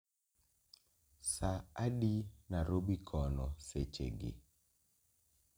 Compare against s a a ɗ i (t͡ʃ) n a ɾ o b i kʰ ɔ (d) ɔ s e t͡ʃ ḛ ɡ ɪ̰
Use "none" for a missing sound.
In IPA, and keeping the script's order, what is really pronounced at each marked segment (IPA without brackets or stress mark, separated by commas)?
none, n